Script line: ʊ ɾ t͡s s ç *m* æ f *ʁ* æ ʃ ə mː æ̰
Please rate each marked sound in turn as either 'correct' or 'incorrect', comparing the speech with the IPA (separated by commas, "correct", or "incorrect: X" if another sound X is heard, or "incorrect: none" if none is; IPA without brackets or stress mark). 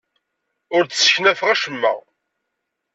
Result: incorrect: n, correct